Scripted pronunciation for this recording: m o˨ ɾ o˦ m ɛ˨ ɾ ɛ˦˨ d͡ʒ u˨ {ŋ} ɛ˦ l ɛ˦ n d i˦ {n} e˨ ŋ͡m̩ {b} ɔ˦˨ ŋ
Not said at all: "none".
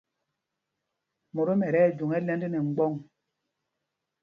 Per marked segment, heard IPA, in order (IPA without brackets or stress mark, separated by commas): ŋ, n, ɡ͡b